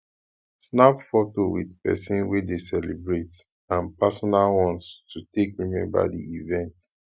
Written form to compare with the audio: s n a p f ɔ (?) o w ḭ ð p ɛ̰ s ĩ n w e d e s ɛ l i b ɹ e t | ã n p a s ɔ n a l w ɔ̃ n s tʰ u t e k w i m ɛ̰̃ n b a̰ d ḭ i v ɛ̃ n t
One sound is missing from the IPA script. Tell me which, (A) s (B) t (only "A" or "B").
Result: B